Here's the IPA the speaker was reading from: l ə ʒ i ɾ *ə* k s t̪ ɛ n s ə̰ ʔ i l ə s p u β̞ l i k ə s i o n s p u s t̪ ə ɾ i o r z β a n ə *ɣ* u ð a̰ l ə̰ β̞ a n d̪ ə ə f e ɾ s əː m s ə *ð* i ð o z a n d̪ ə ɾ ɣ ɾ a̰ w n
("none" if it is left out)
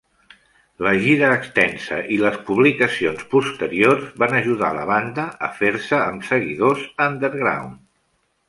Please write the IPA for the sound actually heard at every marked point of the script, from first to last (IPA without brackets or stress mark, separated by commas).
əː, ʒ, ɣ